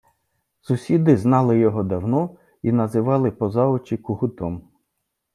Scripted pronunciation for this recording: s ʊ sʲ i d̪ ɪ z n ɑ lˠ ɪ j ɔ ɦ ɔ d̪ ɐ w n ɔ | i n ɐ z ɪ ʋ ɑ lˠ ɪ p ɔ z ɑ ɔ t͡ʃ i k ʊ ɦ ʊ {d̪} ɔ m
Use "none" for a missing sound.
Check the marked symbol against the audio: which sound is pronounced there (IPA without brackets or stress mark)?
t̪